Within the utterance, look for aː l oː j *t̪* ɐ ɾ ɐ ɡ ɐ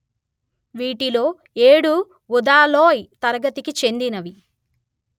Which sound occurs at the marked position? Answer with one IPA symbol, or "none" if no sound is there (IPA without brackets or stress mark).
t̪